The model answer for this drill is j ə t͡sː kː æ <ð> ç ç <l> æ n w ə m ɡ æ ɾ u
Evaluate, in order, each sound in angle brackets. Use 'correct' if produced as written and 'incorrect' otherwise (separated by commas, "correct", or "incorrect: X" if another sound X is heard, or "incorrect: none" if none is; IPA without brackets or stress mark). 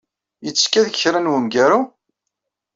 correct, incorrect: ɾ